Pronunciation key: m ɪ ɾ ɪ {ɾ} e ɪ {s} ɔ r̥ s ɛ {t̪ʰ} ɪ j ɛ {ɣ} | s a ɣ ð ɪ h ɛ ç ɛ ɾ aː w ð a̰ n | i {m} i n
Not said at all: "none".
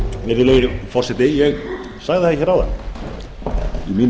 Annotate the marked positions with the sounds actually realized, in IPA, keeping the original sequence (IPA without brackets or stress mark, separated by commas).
l, f, t̪, ɣ, m